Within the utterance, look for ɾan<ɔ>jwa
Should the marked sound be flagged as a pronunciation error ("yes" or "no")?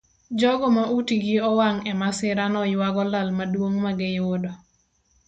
no